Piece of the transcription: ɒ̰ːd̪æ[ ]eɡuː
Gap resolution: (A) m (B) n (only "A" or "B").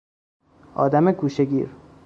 A